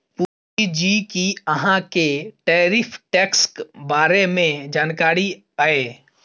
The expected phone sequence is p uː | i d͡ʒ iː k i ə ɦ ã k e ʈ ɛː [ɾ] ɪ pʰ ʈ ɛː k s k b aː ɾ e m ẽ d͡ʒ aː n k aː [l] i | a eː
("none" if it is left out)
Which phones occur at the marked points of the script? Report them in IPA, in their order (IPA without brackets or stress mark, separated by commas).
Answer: ɾ, ɾ